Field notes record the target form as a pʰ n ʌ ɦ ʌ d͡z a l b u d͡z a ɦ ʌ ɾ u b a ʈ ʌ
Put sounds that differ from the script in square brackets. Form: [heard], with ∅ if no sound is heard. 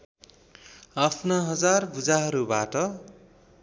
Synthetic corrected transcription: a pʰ n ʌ ɦ ʌ d͡z a [r] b u d͡z a ɦ ʌ ɾ u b a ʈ ʌ